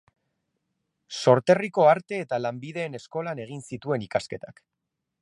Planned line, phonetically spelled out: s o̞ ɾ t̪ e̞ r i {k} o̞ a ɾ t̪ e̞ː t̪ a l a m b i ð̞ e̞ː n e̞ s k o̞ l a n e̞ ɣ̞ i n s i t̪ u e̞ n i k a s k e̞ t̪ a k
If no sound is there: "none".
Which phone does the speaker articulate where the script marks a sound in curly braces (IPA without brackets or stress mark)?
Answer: k